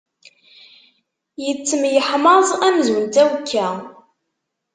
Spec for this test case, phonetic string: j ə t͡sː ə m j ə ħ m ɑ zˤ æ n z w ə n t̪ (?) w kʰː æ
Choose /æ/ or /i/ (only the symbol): æ